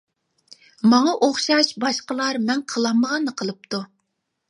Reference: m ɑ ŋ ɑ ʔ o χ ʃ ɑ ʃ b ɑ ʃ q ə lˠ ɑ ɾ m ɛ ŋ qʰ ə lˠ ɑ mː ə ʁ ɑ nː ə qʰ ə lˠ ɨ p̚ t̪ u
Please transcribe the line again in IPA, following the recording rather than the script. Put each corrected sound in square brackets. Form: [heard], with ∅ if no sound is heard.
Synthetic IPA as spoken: m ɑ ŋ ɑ ʔ o χ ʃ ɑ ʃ b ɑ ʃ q ə lˠ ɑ ɾ m ɛ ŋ qʰ ə lˠ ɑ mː ə ʁ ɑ nː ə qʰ ə lˠ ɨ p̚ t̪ u